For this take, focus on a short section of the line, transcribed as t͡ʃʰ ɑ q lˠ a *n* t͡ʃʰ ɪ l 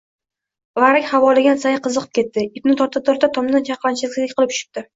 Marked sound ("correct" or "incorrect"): correct